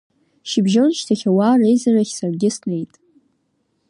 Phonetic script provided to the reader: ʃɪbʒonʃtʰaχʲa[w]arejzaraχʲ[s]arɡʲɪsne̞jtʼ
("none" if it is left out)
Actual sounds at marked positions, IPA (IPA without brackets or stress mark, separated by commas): w, s